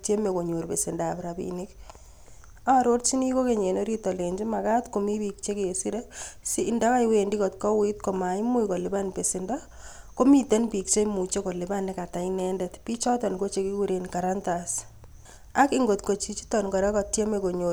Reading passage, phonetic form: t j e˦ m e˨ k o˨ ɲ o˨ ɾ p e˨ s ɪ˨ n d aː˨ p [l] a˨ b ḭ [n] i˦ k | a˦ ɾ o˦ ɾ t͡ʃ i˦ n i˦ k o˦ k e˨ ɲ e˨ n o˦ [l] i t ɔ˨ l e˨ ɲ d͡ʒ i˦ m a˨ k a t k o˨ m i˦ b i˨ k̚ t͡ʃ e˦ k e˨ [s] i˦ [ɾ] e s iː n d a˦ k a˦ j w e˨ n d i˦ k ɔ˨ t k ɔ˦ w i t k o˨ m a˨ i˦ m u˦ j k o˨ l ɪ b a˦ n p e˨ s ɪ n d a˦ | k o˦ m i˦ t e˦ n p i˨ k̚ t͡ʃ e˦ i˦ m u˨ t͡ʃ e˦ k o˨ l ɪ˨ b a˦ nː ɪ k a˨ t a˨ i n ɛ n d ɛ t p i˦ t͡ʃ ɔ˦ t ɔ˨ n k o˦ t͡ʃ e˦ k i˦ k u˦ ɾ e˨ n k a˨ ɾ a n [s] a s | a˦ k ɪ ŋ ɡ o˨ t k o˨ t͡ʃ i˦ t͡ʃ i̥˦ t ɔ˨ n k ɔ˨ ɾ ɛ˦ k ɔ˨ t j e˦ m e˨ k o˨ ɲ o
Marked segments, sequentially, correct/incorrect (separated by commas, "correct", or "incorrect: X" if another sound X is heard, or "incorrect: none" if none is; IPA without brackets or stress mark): incorrect: ɾ, correct, incorrect: ɾ, correct, correct, incorrect: t